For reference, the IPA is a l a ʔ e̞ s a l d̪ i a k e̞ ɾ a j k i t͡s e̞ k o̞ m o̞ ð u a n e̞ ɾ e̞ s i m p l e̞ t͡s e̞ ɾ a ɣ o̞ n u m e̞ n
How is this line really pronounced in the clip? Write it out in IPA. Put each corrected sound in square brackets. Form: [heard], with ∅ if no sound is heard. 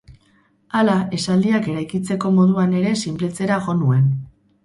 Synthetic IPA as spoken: a l a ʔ e̞ s a l d̪ i a k e̞ ɾ a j k i t͡s e̞ k o̞ m o̞ ð u a n e̞ ɾ e̞ s i m p l e̞ t͡s e̞ ɾ a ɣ o̞ n u [∅] e̞ n